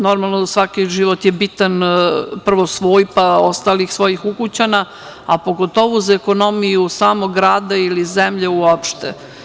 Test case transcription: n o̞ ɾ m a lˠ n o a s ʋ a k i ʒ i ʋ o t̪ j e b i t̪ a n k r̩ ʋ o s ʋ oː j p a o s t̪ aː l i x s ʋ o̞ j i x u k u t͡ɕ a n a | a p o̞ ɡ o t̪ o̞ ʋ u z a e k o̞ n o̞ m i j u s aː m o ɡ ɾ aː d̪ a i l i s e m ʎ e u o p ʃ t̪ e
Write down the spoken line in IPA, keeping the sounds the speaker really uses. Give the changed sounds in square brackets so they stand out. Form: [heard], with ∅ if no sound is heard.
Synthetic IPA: n o̞ ɾ m a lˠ n o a s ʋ a k i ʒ i ʋ o t̪ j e b i t̪ a n [p] r̩ ʋ o s ʋ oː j p a o s t̪ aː l i x s ʋ o̞ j i x u k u t͡ɕ a n a | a p o̞ ɡ o t̪ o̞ ʋ u z a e k o̞ n o̞ m i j u s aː m o ɡ ɾ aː d̪ a i l i [z] e m ʎ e u o p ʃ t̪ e